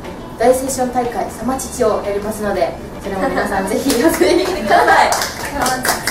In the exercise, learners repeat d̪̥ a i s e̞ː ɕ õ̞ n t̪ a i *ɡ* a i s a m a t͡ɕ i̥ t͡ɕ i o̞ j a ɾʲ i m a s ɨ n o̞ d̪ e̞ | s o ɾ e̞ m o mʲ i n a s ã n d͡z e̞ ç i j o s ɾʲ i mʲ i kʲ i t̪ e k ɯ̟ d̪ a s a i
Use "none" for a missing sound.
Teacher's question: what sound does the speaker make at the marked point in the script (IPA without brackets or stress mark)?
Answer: k